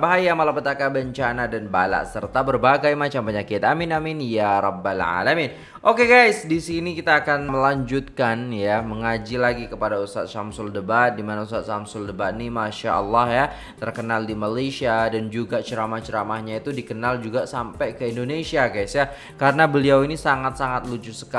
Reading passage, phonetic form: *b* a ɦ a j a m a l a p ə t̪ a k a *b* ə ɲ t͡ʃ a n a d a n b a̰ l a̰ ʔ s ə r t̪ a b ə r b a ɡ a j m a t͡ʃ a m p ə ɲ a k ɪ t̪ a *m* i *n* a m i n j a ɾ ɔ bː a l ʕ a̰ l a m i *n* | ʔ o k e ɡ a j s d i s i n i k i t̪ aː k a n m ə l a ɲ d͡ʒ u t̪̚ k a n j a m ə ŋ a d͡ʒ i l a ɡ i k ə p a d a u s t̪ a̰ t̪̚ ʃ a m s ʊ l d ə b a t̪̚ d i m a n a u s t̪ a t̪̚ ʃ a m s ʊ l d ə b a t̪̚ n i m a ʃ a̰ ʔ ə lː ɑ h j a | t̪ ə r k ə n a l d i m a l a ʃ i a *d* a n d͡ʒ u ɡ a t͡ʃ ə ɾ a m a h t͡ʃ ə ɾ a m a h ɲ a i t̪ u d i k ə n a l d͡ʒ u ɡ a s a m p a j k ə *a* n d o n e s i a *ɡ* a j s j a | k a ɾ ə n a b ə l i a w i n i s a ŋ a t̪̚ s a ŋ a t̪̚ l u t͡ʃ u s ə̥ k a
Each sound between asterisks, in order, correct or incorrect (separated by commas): correct, correct, correct, correct, correct, correct, incorrect, correct